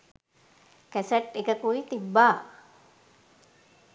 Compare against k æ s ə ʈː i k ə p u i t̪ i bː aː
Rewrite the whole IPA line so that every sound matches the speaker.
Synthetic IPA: k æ s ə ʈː e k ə k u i t̪ i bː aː